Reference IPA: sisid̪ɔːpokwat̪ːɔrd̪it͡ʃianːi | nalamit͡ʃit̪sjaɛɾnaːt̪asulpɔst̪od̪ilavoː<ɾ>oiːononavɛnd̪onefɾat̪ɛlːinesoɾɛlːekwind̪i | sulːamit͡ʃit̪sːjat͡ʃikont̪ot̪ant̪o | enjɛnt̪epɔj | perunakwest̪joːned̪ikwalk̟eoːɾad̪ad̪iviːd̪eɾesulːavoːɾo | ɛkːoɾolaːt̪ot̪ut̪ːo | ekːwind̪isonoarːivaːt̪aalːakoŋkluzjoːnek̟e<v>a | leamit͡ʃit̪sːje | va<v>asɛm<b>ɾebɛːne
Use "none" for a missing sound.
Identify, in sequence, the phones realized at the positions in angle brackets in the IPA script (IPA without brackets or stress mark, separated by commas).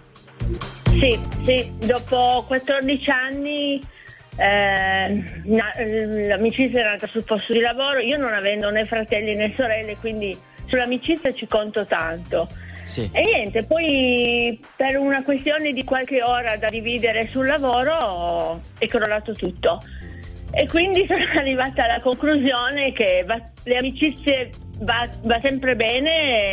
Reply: ɾ, v, v, p